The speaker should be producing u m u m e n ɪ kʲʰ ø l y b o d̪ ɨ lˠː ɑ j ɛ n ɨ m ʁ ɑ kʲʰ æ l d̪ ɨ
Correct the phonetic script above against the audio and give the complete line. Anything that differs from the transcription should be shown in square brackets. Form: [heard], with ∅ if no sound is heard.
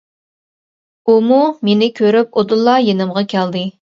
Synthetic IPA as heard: u m u m e n ɪ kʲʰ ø [ɾ] y [p] o d̪ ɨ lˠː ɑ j [e] n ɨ m ʁ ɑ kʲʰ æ l d̪ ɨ